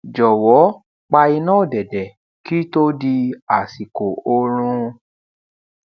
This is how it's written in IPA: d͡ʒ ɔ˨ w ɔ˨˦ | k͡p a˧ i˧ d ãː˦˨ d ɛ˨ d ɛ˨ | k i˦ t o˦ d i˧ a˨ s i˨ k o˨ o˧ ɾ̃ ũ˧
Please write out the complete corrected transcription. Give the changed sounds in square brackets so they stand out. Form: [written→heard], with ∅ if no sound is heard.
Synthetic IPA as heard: d͡ʒ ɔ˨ w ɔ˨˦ | k͡p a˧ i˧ [d→n] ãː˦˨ d ɛ˨ d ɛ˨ | k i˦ t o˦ d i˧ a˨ s i˨ k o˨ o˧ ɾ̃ ũ˧